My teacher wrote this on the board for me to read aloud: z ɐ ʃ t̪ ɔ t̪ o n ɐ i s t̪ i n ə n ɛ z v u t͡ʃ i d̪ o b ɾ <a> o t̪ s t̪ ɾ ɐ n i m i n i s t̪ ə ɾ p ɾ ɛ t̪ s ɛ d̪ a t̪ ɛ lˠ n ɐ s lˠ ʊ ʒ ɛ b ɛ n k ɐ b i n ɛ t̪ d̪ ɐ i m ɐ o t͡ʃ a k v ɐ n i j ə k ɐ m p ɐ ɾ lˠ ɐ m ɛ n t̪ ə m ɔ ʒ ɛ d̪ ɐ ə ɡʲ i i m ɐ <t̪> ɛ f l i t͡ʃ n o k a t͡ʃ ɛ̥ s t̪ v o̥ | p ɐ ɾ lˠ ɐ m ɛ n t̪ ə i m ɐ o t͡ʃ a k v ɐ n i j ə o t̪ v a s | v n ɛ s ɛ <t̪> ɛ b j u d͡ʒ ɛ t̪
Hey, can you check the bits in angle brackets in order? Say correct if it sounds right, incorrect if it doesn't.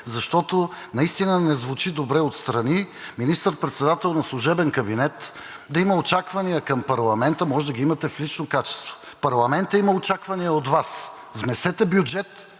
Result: incorrect: ɛ, correct, correct

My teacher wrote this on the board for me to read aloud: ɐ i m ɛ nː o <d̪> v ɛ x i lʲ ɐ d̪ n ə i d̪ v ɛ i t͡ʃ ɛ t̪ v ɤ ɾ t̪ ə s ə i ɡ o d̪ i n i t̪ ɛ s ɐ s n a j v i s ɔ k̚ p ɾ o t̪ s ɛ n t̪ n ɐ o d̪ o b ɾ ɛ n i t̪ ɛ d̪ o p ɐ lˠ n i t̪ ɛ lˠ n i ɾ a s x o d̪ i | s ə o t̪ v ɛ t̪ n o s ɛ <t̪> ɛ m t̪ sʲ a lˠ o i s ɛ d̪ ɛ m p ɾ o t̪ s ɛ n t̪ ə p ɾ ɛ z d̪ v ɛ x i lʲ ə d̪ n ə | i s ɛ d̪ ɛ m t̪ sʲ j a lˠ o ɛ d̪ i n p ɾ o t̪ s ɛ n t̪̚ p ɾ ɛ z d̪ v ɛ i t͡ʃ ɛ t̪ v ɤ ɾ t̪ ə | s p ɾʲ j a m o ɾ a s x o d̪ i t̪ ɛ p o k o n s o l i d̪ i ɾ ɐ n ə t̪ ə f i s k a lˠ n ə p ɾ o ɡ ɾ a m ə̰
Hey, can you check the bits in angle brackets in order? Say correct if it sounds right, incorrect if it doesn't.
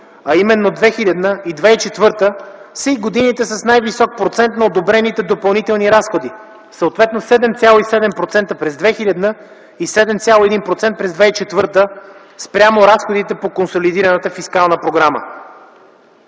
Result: correct, incorrect: d̪

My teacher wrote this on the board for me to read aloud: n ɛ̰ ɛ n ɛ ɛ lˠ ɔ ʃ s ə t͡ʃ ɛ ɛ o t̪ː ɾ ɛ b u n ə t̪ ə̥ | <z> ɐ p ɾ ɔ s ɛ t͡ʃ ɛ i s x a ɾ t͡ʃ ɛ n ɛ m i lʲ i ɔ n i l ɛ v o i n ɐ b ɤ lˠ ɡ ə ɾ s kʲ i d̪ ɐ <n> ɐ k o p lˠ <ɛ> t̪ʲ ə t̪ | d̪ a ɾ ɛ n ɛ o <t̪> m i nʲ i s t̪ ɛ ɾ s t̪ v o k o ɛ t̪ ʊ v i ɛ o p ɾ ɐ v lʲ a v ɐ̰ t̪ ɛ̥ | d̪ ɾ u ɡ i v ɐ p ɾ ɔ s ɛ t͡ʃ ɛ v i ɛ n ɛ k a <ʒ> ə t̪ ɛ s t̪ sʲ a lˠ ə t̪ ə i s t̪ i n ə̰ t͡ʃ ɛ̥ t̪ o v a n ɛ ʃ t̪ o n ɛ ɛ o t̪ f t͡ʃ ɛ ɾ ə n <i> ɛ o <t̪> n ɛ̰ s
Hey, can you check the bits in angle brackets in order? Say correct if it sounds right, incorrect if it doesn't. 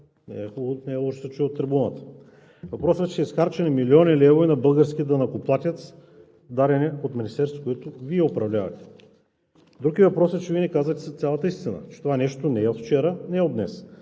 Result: incorrect: v, correct, incorrect: a, correct, incorrect: z, incorrect: ɛ, incorrect: d̪

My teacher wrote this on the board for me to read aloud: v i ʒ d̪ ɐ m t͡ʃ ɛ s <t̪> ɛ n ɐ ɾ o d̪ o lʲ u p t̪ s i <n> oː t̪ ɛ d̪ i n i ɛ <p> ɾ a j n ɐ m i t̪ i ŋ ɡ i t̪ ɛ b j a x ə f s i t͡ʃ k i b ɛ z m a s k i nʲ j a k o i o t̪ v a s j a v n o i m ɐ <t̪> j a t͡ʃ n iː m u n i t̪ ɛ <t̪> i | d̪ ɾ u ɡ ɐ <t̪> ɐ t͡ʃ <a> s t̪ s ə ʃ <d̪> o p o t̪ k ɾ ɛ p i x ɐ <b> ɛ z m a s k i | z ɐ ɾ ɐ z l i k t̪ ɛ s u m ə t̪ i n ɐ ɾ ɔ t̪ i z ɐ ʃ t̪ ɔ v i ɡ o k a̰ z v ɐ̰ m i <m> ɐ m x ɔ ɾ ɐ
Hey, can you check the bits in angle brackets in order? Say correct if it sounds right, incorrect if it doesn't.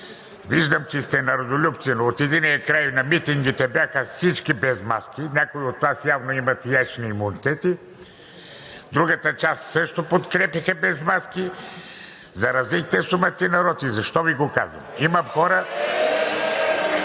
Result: correct, correct, incorrect: k, correct, correct, correct, correct, incorrect: t̪, correct, correct

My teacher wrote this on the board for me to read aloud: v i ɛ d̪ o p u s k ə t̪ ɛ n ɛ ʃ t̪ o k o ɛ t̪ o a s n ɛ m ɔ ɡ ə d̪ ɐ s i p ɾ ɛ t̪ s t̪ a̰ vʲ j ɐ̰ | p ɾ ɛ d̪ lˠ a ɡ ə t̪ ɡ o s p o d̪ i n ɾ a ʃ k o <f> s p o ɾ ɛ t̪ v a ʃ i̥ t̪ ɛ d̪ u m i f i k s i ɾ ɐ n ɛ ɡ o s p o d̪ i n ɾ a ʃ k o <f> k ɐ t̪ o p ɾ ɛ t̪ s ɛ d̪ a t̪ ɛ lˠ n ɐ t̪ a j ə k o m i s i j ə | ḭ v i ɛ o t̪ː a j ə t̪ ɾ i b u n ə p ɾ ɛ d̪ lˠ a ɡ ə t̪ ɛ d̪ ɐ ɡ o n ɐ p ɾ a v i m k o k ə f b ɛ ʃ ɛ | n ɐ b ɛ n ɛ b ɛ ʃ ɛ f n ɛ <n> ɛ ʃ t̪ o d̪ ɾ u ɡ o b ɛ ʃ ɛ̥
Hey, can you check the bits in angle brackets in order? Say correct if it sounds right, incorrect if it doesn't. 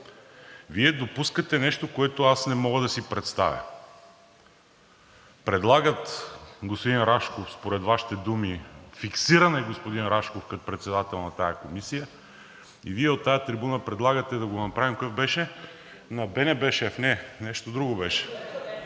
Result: correct, correct, correct

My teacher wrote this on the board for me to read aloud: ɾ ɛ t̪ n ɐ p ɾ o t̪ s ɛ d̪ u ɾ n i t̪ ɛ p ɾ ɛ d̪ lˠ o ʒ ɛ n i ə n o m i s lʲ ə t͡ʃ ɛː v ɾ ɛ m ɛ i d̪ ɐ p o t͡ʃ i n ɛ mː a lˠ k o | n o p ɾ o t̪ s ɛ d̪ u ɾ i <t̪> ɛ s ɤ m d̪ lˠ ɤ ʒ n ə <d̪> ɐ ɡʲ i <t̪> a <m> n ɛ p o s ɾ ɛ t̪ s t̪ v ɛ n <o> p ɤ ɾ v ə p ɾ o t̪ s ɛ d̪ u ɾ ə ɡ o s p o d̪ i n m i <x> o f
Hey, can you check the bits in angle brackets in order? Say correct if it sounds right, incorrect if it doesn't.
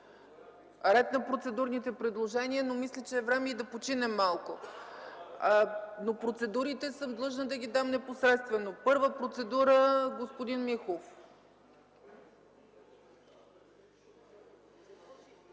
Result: correct, correct, incorrect: d̪, correct, correct, correct

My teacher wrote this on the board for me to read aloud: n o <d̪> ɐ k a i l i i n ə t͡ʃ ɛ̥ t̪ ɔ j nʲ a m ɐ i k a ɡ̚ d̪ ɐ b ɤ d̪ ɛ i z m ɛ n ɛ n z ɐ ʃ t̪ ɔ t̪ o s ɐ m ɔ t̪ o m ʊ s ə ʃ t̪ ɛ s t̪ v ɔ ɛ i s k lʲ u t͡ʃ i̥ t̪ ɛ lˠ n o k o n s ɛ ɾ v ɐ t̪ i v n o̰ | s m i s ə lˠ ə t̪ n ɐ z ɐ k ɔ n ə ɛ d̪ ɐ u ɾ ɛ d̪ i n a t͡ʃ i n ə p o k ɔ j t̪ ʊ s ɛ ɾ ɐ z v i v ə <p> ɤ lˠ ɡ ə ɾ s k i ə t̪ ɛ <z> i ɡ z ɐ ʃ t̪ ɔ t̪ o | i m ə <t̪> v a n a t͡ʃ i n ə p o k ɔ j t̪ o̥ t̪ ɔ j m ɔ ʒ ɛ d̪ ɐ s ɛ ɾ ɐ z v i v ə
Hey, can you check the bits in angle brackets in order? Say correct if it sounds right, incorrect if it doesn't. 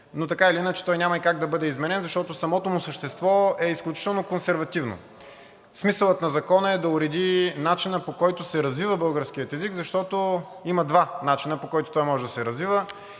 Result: incorrect: t̪, incorrect: b, correct, incorrect: d̪

